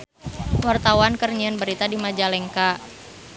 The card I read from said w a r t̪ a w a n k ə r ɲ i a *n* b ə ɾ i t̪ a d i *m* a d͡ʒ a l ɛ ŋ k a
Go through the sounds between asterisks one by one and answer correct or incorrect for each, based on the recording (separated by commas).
correct, correct